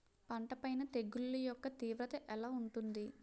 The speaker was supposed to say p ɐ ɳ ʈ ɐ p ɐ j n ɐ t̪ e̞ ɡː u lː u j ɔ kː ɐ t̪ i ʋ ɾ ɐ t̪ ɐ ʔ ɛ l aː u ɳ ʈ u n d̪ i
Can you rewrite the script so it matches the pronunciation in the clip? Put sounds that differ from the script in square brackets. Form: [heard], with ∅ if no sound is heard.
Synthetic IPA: p ɐ ɳ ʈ ɐ p ɐ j n ɐ t̪ e̞ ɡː u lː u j ɔ kː ɐ t̪ [iː] ʋ ɾ ɐ t̪ ɐ ʔ ɛ l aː u ɳ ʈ u n d̪ i